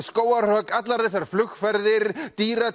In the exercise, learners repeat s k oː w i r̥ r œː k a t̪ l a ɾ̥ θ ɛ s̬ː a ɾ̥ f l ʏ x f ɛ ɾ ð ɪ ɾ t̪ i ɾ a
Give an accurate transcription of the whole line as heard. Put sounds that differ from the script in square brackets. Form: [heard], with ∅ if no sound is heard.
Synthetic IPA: s k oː w [a] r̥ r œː k a t̪ l a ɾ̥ θ ɛ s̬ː a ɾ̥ f l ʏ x f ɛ ɾ ð ɪ ɾ t̪ [iː] ɾ a